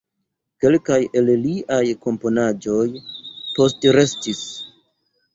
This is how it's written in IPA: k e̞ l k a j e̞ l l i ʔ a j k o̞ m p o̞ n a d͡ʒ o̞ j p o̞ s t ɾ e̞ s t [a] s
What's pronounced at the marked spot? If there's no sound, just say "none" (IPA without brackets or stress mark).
i